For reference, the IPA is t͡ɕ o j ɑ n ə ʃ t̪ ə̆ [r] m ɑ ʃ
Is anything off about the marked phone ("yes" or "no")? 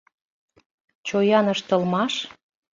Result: yes